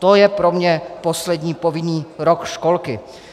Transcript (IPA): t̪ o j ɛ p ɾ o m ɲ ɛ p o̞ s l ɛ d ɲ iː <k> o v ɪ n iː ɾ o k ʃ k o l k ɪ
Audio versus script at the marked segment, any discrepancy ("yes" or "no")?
yes